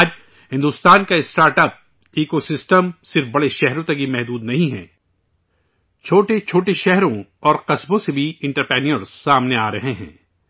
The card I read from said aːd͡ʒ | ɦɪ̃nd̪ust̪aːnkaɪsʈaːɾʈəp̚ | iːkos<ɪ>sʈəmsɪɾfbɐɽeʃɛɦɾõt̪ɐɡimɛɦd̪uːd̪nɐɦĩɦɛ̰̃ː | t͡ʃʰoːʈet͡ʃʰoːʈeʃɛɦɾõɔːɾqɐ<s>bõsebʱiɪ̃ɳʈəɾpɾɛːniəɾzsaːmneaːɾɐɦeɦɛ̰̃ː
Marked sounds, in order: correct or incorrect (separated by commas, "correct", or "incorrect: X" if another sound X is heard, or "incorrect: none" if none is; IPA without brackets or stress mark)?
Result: correct, correct